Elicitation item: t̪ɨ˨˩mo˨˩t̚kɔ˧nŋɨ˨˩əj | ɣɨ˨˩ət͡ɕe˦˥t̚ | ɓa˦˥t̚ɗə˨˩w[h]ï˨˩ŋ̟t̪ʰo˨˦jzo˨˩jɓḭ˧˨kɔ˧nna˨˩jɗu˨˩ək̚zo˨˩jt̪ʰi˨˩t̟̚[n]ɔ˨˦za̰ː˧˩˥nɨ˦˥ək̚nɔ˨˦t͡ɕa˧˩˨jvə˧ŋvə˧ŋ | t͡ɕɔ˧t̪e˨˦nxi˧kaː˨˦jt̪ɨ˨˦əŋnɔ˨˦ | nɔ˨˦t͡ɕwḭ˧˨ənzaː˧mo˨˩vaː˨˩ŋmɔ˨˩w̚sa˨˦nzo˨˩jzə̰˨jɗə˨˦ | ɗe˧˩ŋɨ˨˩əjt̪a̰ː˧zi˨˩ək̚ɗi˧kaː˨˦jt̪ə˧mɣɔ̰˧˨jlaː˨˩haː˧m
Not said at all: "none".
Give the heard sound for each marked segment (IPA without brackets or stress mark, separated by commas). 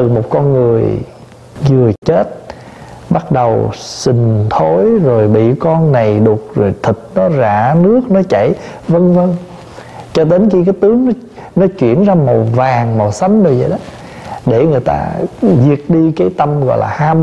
s, n